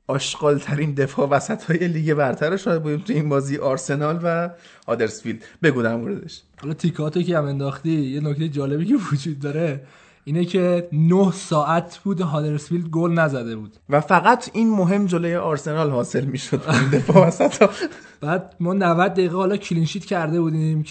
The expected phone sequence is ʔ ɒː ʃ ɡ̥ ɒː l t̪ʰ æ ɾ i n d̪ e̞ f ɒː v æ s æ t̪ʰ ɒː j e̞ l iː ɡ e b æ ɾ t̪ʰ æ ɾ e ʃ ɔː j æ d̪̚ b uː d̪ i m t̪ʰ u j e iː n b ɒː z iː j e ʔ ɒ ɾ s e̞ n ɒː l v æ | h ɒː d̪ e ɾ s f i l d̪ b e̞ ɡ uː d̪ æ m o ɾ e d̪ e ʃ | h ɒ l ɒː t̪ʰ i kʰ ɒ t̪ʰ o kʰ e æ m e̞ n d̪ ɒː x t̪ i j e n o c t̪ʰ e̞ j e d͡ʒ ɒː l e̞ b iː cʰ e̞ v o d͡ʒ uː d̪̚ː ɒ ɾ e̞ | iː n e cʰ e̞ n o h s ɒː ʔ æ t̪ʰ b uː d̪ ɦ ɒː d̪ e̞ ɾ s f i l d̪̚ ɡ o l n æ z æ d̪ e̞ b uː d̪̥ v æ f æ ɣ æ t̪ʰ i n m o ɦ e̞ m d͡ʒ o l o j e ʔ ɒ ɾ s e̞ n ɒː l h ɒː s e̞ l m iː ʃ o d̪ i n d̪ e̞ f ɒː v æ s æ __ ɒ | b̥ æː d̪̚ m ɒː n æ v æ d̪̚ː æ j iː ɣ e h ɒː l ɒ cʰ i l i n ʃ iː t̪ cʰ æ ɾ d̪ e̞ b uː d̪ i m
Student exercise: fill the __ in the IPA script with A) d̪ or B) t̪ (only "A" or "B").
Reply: B